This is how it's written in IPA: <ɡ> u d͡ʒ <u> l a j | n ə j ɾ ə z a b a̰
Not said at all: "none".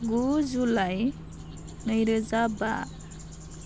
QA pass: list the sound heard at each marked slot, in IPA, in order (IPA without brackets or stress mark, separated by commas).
ɡ, u